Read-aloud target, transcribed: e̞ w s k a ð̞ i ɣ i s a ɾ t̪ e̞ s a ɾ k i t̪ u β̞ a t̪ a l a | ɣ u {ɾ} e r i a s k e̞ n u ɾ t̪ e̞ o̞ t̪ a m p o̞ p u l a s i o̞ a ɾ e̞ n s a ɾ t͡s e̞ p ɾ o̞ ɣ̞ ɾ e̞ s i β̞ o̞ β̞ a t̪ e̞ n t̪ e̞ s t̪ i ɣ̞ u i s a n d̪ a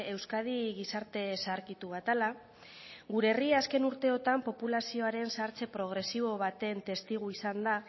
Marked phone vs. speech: correct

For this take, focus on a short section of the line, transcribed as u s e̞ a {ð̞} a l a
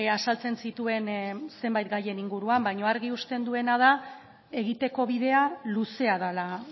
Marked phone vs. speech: correct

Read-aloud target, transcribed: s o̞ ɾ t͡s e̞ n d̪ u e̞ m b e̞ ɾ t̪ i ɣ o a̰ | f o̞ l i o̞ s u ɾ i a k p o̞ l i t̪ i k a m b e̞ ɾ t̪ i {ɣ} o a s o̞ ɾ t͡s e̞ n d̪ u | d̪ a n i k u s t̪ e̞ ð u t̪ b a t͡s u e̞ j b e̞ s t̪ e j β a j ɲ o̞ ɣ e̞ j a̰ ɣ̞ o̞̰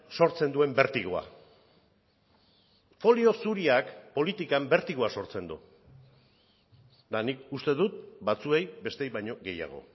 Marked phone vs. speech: correct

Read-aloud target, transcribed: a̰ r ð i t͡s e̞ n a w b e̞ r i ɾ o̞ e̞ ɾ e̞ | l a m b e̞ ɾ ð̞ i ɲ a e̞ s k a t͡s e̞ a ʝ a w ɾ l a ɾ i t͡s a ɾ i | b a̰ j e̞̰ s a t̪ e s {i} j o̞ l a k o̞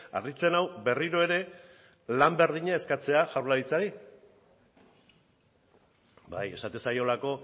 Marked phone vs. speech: incorrect: a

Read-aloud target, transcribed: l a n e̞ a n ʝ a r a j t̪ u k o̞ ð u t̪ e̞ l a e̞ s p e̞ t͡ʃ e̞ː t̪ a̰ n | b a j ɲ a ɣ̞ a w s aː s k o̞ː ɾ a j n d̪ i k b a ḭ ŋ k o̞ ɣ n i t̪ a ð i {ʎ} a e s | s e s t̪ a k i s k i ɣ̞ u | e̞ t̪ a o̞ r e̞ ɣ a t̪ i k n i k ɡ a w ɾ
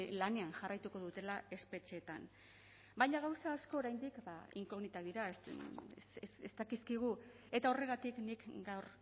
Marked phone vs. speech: incorrect: ɾ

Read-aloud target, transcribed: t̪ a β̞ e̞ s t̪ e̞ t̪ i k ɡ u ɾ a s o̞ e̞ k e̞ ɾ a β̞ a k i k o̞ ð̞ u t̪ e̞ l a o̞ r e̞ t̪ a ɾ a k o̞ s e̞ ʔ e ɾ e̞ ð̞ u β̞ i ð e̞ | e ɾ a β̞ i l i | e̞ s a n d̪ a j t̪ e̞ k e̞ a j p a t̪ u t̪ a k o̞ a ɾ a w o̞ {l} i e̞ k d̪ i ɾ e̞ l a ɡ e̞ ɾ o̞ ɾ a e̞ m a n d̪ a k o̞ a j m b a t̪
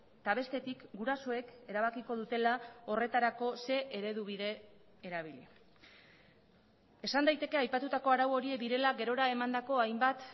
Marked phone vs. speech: incorrect: ɾ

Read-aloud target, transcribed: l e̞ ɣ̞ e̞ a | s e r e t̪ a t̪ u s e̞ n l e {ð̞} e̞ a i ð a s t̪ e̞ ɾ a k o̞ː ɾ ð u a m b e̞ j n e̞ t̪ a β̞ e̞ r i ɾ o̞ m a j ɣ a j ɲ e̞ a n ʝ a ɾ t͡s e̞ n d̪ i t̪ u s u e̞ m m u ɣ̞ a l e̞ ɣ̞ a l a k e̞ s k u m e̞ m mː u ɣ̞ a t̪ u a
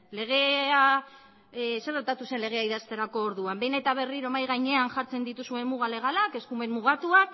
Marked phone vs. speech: incorrect: ɣ̞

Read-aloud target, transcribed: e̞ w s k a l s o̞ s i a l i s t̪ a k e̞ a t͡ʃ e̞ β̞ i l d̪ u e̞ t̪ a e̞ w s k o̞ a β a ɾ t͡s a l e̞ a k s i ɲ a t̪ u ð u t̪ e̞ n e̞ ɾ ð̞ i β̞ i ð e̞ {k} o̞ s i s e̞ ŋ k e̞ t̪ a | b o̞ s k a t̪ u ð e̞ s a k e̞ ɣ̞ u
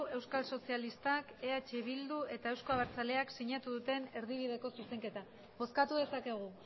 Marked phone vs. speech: correct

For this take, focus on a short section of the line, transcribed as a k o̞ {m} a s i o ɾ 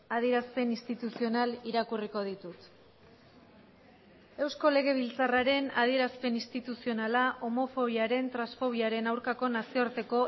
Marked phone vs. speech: incorrect: n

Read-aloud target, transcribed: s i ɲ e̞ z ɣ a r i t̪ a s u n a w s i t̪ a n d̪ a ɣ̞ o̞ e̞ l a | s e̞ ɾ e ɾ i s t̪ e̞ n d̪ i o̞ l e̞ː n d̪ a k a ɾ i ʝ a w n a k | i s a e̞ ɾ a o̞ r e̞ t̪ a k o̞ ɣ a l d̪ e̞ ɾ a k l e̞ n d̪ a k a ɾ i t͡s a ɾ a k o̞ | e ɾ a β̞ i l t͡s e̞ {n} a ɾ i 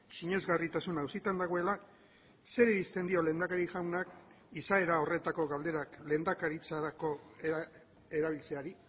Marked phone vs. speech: incorrect: none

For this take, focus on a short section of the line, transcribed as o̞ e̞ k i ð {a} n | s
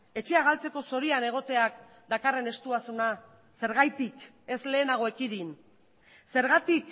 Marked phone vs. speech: incorrect: i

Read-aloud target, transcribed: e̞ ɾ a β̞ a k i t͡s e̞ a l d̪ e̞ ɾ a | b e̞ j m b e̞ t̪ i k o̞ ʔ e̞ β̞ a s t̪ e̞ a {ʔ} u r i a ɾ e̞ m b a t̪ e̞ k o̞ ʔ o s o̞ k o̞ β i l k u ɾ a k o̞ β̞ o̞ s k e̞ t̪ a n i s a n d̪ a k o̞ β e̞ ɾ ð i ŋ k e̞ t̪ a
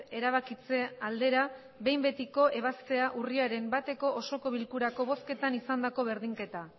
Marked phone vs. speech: correct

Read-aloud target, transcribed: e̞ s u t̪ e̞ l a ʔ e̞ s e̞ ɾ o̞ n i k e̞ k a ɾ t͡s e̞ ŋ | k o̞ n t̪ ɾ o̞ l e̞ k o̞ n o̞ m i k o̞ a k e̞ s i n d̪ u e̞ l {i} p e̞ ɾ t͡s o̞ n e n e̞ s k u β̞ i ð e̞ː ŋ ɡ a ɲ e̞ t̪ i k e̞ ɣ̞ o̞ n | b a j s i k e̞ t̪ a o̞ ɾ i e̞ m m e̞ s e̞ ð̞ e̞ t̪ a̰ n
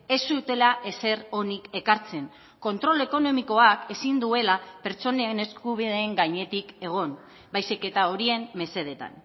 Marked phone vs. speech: incorrect: a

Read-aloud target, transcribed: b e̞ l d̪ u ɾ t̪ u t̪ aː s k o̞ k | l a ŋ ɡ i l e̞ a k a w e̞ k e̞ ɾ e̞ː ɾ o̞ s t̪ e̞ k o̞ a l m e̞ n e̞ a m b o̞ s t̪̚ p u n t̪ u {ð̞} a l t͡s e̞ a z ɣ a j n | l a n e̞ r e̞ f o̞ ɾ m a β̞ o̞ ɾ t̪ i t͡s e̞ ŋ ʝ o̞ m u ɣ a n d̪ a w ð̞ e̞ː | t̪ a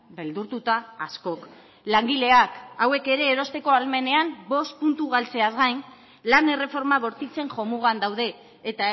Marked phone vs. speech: incorrect: ɣ̞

